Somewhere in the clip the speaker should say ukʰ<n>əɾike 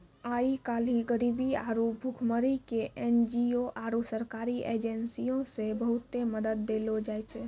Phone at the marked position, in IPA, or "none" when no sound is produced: m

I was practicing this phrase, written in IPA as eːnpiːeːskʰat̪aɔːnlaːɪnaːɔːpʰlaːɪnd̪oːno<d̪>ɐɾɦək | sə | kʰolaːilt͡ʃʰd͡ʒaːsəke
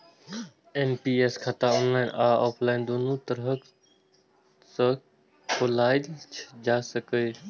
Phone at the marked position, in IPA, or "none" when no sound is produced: t̪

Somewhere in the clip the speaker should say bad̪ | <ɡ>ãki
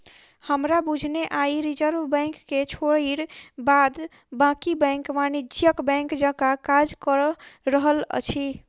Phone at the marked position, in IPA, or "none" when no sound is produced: b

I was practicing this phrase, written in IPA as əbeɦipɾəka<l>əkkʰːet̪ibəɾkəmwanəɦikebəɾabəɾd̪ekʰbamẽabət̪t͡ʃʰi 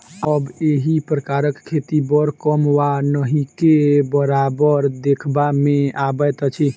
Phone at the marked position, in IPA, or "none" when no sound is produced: ɾ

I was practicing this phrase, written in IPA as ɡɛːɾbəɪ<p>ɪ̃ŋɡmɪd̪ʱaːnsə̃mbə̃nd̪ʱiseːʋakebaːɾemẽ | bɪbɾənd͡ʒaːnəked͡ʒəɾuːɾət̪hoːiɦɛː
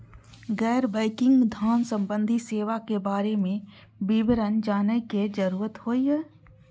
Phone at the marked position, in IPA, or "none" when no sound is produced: k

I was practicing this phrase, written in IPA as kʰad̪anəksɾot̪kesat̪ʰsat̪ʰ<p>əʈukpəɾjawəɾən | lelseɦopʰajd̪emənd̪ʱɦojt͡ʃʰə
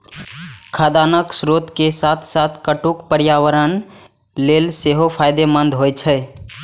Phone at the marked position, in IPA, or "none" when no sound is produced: k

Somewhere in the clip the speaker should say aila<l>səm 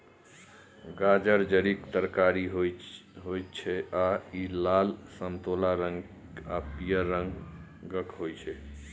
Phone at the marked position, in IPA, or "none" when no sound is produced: l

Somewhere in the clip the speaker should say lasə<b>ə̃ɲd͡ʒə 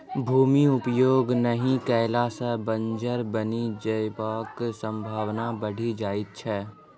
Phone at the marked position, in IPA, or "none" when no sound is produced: b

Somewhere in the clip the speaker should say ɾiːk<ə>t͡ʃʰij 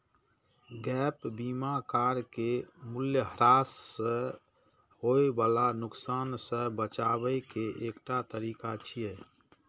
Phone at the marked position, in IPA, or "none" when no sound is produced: a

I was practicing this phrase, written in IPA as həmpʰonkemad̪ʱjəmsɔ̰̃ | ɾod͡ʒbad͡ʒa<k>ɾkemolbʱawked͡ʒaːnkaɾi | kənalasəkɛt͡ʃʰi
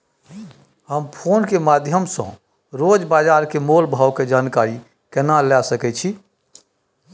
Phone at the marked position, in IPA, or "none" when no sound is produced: none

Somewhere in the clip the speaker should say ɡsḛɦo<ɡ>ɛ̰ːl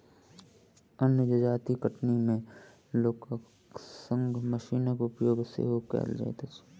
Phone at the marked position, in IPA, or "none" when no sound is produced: k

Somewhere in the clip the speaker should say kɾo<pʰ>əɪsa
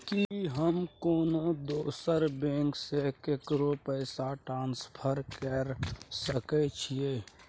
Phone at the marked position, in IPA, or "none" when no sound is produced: p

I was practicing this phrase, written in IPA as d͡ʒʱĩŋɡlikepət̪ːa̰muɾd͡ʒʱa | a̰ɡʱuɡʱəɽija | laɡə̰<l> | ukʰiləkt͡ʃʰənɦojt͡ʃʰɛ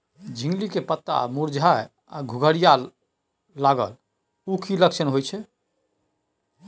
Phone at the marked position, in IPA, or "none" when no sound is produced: l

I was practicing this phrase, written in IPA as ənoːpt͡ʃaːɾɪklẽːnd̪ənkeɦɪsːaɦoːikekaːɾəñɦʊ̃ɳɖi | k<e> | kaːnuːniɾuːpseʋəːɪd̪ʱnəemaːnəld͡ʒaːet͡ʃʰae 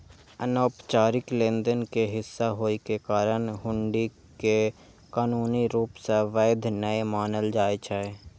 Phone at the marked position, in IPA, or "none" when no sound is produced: e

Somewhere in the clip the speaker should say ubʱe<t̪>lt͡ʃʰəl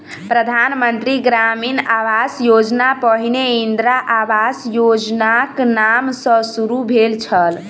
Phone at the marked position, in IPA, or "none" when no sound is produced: none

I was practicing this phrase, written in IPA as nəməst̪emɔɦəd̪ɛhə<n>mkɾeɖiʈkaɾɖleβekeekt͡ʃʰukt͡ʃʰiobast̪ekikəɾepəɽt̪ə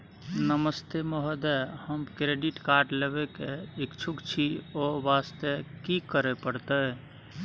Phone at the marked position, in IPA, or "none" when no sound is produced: none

